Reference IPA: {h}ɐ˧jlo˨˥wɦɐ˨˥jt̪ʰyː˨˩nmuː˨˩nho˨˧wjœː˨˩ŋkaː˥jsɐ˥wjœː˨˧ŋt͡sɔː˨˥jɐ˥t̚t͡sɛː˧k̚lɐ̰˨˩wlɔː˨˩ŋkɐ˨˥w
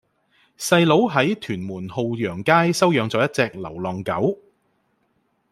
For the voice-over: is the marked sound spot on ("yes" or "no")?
no